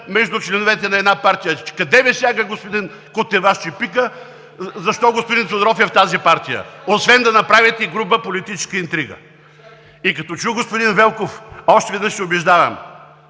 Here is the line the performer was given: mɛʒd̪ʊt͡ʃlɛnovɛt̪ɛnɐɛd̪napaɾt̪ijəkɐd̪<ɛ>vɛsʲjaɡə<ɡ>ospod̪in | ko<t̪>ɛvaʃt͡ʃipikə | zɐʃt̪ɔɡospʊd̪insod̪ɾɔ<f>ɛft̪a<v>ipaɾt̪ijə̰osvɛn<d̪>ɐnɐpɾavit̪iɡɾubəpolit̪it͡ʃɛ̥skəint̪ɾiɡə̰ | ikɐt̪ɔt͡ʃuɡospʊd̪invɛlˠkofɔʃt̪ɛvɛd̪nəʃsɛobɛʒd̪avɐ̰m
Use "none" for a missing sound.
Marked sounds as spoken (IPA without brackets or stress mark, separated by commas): ɛ, ɡ, t̪, f, z, d̪